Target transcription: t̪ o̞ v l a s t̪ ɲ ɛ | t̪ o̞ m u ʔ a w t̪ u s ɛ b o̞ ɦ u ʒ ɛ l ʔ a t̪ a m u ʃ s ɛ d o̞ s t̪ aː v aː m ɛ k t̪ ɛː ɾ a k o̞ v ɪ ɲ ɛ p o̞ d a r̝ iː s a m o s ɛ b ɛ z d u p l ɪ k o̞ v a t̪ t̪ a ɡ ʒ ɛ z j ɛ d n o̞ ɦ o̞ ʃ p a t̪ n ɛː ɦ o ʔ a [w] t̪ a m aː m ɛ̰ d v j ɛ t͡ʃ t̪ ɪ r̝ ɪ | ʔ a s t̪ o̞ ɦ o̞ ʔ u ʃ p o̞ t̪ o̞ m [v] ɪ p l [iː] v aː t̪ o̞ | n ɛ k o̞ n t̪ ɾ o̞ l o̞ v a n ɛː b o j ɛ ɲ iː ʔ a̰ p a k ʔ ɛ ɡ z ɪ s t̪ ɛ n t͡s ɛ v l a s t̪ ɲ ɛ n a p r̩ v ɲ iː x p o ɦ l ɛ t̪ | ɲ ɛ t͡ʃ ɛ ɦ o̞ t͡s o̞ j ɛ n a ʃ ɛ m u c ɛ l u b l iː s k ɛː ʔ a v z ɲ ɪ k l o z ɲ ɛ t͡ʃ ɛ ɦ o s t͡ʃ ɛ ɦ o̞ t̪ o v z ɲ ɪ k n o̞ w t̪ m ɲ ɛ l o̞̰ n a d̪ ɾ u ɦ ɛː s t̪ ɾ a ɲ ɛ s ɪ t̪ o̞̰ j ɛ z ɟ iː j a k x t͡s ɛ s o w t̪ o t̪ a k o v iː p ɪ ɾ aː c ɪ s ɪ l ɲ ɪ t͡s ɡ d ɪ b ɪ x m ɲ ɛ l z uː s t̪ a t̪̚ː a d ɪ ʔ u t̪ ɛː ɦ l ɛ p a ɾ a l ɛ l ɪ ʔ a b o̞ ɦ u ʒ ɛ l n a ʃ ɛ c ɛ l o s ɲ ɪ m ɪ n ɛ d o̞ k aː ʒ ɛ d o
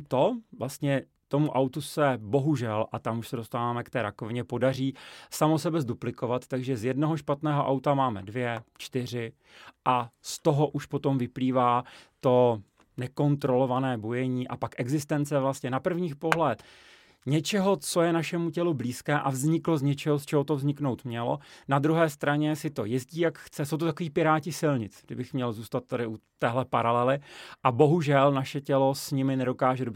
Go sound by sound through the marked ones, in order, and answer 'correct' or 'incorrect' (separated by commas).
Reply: correct, correct, correct